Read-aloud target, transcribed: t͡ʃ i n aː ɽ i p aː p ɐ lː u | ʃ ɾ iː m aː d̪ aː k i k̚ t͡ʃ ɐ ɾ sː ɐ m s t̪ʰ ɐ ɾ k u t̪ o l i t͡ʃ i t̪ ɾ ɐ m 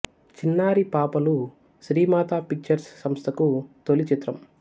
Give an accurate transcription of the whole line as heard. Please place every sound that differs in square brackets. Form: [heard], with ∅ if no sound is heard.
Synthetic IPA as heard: t͡ʃ i [nː] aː [ɾ] i p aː p ɐ [l] u | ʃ ɾ iː m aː [t̪] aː [p] i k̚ t͡ʃ ɐ ɾ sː ɐ m s t̪ʰ ɐ [∅] k u t̪ o l i t͡ʃ i t̪ ɾ ɐ m

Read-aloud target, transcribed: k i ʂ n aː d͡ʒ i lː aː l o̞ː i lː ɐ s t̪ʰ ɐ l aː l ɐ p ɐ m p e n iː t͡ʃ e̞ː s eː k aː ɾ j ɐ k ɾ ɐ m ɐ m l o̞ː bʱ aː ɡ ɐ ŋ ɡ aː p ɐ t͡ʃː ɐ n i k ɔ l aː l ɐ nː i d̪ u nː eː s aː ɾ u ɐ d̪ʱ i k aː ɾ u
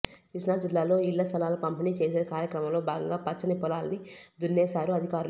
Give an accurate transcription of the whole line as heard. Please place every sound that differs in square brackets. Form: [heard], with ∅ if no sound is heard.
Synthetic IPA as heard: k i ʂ n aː d͡ʒ i lː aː l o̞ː i lː ɐ s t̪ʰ ɐ l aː l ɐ p ɐ m p [i] n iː t͡ʃ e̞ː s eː k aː ɾ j ɐ k ɾ ɐ m ɐ m l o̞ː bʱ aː ɡ ɐ ŋ ɡ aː p ɐ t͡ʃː ɐ n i [p] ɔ l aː l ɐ [n] i d̪ u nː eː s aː ɾ u ɐ d̪ʱ i k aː ɾ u

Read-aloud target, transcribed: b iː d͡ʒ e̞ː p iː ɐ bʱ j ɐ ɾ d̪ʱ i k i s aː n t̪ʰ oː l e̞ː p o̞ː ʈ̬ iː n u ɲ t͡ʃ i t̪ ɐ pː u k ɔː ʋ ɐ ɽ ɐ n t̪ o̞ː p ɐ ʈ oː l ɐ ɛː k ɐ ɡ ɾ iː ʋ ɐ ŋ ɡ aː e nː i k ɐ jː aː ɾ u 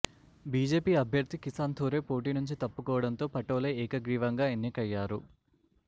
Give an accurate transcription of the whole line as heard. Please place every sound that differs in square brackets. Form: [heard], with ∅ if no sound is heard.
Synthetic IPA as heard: b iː d͡ʒ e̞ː p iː ɐ bʱ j ɐ ɾ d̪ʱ i k i s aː n t̪ʰ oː [ɾ] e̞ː p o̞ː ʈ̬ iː n u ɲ t͡ʃ i t̪ ɐ pː u k ɔː ʋ ɐ ɽ ɐ n t̪ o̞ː p ɐ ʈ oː l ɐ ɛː k ɐ ɡ ɾ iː ʋ ɐ ŋ ɡ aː e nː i k ɐ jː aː ɾ u

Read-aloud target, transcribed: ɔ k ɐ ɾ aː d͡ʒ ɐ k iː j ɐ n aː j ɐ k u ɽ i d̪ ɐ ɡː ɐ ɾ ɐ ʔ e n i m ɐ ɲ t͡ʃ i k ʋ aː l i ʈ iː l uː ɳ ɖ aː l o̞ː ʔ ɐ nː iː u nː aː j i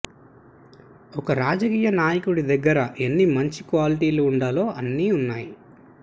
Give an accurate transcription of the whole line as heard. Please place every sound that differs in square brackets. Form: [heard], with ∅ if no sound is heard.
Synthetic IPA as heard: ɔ k ɐ ɾ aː d͡ʒ ɐ k iː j ɐ n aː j ɐ k u ɽ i d̪ ɐ ɡː ɐ ɾ ɐ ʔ e [nː] i m ɐ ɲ t͡ʃ i k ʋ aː l i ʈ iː l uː ɳ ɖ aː l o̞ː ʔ ɐ nː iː u nː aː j i

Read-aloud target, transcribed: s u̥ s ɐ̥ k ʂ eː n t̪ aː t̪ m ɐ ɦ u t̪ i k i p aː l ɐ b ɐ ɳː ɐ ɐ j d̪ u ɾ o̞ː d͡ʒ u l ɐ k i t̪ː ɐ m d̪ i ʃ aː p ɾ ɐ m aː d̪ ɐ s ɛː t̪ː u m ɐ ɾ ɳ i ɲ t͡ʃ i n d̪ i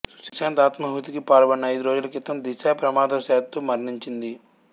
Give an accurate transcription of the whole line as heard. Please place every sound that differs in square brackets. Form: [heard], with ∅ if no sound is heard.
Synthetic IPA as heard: s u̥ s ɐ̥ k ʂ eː n t̪ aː t̪ m ɐ ɦ u t̪ i k i p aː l ɐ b ɐ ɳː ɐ ɐ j d̪ u ɾ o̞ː d͡ʒ u l ɐ k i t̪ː ɐ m d̪ i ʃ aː p ɾ ɐ m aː d̪ ɐ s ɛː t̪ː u m ɐ ɾ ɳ i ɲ t͡ʃ i n d̪ i

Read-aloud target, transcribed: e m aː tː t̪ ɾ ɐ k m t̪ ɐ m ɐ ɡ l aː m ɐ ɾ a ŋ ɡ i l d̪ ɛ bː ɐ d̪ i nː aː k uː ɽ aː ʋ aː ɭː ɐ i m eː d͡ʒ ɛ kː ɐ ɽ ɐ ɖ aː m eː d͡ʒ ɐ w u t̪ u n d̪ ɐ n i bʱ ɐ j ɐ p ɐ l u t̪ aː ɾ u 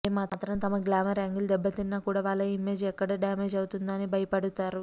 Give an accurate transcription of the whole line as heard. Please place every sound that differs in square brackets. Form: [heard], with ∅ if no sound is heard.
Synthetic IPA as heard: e m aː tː t̪ ɾ ɐ [∅] m t̪ ɐ m ɐ ɡ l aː m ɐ ɾ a ŋ ɡ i l d̪ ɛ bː ɐ [t̪] i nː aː k uː ɽ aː ʋ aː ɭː ɐ i m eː d͡ʒ ɛ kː ɐ ɽ ɐ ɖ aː m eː d͡ʒ ɐ w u t̪ u n d̪ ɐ n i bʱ ɐ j ɐ p ɐ [ɽ] u t̪ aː ɾ u

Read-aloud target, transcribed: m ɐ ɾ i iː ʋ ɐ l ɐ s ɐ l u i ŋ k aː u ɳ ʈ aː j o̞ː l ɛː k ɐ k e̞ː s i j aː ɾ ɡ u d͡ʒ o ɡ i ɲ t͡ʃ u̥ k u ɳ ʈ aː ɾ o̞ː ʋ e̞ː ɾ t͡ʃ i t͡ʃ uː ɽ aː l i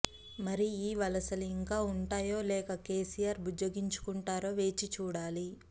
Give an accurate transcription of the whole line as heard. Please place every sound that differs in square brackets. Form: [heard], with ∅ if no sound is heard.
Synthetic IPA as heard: m ɐ ɾ i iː ʋ ɐ l ɐ s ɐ l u i ŋ k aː u ɳ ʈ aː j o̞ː l ɛː k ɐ k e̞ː s i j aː ɾ [b] u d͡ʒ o ɡ i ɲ t͡ʃ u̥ k u ɳ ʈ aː ɾ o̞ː ʋ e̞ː [∅] t͡ʃ i t͡ʃ uː ɽ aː l i

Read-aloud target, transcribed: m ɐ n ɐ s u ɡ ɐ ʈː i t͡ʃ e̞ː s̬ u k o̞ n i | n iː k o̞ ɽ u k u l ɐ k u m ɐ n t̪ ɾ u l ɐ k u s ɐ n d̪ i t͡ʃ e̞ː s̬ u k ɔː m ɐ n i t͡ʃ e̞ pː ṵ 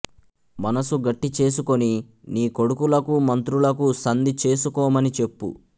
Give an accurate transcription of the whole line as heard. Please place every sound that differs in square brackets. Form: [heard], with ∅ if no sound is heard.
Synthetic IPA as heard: m ɐ n ɐ s u ɡ ɐ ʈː i t͡ʃ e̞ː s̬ u k o̞ n i | n iː k o̞ ɽ u k u l ɐ k u m ɐ n t̪ ɾ u l ɐ k u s ɐ n d̪ i t͡ʃ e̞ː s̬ u k ɔː m ɐ n i t͡ʃ e̞ pː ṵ

